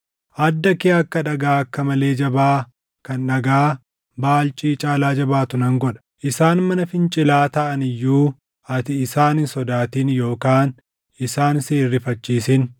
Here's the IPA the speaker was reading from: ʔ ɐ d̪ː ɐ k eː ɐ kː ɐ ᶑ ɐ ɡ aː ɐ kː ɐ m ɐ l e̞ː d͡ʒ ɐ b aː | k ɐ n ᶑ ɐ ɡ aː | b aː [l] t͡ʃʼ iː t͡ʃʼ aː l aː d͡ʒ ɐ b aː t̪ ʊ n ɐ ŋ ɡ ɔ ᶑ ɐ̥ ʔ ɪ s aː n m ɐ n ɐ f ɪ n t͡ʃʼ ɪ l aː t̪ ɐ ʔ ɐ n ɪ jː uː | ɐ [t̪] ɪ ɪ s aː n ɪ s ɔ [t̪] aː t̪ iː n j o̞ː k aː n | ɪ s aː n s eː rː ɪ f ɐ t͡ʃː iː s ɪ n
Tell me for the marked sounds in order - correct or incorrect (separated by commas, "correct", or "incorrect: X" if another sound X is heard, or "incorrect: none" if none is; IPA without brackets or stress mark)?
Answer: correct, correct, incorrect: d̪